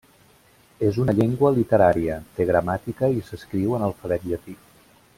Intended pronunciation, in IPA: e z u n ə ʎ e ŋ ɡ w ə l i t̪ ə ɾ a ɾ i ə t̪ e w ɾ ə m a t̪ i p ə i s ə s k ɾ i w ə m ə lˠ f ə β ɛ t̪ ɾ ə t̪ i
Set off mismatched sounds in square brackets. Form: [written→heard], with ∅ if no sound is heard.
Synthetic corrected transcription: e z u n ə ʎ e ŋ ɡ w ə l i t̪ ə ɾ a ɾ i ə t̪ e [w→ɣ] ɾ ə m a t̪ i [p→k] ə i s ə s k ɾ i w ə [m→n] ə lˠ f ə β ɛ t̪ [ɾ→ʎ] ə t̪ i